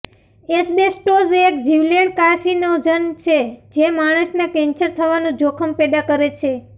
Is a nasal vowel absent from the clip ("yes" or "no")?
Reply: no